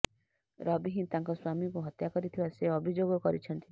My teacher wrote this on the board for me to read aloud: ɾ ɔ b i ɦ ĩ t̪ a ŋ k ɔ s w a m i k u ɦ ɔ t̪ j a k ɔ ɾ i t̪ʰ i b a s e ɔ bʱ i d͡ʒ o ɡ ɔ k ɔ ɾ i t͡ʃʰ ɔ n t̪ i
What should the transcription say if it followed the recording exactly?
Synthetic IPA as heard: ɾ ɔ b i ɦ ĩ t̪ a ŋ k ɔ s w a m i k u ɦ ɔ t̪ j a k ɔ ɾ i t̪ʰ i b a s e ɔ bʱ i d͡ʒ o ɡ ɔ k ɔ ɾ i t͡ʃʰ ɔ n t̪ i